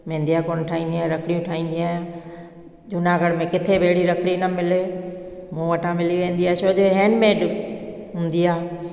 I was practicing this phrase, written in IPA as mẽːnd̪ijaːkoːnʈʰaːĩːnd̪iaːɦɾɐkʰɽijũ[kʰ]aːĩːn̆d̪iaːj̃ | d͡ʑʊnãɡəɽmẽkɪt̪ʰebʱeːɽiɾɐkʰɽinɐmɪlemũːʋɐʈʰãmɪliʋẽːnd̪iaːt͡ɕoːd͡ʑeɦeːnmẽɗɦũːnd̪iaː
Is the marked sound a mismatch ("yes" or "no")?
yes